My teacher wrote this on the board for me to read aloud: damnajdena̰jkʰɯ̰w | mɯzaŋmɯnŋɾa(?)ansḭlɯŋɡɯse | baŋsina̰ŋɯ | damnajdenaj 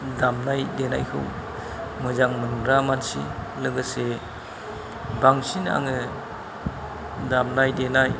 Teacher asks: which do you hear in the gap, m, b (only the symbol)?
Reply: m